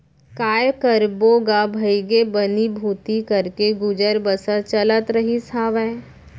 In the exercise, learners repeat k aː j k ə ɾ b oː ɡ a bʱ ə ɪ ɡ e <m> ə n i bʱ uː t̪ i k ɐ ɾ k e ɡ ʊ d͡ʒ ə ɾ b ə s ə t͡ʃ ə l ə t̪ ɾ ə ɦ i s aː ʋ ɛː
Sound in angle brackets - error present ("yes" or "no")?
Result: yes